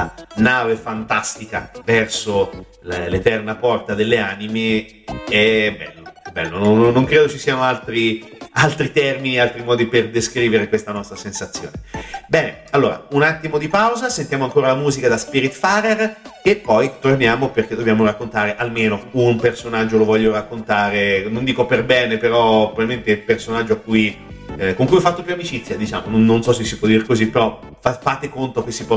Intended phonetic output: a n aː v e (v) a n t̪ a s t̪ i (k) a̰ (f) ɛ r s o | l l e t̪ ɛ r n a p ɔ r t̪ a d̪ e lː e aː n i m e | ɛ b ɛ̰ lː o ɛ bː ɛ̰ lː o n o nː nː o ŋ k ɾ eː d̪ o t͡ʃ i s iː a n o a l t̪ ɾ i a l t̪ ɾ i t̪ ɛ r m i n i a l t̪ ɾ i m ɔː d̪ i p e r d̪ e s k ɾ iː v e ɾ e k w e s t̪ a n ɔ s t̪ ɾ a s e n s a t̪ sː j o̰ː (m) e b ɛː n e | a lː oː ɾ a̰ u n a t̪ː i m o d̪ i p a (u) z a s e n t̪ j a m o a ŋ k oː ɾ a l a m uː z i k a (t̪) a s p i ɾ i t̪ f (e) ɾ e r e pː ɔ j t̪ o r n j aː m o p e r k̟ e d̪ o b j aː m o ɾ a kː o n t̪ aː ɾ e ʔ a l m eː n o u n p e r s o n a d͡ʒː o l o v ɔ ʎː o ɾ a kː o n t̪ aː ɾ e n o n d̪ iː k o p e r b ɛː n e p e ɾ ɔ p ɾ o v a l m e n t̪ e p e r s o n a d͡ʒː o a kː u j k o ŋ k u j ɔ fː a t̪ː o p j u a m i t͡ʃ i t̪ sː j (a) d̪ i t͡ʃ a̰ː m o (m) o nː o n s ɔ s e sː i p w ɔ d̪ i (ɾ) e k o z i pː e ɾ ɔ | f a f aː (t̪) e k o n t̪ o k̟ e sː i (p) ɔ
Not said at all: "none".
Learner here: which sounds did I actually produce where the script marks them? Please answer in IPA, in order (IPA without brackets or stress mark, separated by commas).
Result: f, k, v, n, w, d̪, a, a, n, ɾ, t̪, p